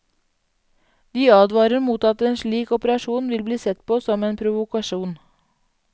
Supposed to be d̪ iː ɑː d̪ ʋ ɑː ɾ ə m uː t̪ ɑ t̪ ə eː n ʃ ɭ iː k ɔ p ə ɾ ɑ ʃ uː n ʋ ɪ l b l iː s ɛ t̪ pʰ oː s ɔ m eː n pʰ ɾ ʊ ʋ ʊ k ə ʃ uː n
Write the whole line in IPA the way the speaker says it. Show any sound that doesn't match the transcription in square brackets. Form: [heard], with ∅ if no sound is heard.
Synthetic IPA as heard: d̪ iː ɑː d̪ ʋ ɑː ɾ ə m uː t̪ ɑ t̪ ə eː n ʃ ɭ iː k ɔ p ə ɾ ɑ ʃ uː n ʋ ɪ l b l iː s ɛ t̪ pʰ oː s ɔ m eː n pʰ ɾ ʊ ʋ ʊ k [ɑ] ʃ uː n